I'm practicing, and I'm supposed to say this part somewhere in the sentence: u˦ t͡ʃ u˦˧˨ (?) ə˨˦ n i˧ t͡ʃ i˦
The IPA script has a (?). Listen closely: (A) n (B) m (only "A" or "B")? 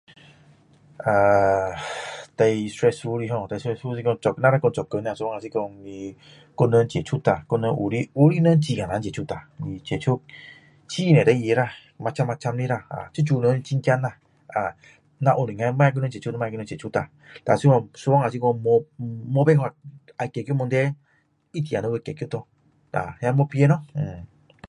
A